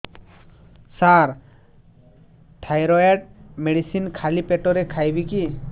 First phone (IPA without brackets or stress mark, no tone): s